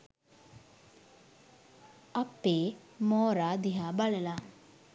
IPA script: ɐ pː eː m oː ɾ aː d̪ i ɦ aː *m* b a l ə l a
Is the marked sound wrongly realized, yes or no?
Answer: yes